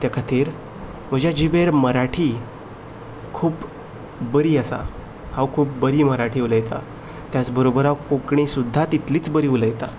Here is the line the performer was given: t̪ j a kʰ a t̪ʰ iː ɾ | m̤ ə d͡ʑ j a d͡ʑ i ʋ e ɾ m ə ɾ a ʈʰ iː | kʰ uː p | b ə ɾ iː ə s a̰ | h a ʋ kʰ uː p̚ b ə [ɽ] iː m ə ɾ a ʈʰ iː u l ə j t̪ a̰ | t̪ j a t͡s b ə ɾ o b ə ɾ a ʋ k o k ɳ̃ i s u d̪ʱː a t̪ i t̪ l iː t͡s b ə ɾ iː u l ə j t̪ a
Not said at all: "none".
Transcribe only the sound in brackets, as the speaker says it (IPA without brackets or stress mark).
ɾ